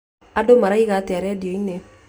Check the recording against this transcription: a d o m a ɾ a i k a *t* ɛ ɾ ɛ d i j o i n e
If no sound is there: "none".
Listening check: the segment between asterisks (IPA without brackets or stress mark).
t